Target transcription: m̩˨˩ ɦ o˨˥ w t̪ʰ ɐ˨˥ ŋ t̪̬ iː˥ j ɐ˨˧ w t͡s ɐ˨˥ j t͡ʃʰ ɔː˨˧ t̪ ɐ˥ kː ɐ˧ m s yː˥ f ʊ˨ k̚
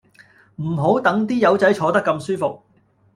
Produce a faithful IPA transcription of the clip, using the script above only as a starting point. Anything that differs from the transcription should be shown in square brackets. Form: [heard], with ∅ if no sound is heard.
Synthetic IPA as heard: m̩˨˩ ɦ o˨˥ w [t̪] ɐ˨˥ ŋ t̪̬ iː˥ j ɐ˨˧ w t͡s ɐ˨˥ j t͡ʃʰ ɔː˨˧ t̪ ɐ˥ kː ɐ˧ m s yː˥ f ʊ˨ k̚